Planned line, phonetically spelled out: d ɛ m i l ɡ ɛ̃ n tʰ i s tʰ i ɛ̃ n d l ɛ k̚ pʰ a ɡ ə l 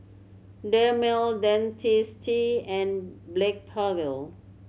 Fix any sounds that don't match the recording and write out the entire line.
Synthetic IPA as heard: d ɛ m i l d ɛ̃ n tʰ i s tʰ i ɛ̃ n b l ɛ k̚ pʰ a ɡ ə l